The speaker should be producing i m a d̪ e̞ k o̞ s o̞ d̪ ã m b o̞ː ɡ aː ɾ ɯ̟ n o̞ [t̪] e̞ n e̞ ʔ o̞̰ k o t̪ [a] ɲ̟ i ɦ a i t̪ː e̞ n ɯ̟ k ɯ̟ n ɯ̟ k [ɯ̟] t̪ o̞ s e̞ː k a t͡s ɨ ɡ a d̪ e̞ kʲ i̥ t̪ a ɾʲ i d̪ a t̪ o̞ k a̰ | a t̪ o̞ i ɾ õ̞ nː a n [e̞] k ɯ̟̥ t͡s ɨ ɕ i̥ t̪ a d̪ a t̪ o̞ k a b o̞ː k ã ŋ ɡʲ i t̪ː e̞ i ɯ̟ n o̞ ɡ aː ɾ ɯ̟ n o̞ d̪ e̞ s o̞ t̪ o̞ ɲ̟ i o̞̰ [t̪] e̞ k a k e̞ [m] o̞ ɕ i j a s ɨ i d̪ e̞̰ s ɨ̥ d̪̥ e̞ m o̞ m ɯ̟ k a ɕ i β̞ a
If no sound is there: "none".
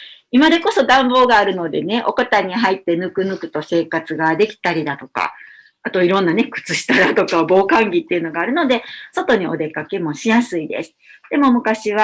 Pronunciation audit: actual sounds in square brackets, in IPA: d̪, a, ɯ̟, e̞, d̪, m

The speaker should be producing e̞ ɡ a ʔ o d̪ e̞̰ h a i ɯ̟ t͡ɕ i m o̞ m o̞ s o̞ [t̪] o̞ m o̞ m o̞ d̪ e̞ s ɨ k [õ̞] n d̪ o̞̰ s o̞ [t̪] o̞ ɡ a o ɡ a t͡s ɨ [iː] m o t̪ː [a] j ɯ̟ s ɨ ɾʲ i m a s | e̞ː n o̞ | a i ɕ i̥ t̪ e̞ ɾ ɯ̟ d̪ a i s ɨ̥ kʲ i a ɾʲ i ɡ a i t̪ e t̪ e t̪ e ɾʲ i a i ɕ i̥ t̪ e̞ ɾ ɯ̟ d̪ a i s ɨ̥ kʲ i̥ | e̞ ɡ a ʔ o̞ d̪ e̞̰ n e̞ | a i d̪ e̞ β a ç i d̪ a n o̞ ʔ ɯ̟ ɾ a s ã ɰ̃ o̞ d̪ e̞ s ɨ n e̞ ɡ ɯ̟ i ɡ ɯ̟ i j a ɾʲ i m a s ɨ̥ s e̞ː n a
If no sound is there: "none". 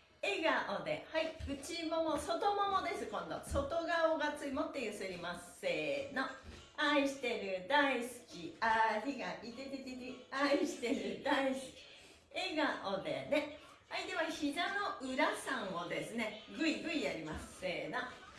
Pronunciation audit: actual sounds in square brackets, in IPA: t̪, õ̞, t̪, i, e

